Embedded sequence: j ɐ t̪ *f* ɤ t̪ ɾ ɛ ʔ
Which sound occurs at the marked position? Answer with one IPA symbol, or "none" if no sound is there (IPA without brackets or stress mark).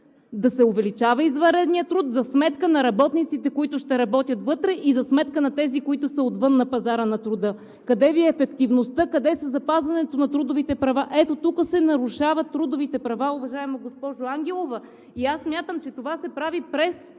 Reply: v